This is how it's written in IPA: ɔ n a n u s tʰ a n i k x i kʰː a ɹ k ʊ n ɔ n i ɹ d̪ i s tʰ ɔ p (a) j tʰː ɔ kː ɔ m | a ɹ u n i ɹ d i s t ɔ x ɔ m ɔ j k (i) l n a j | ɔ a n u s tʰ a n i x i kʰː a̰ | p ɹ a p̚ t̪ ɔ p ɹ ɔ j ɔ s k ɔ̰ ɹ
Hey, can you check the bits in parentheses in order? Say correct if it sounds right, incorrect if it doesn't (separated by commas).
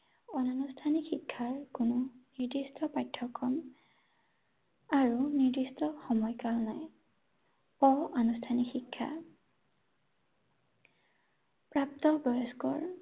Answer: correct, incorrect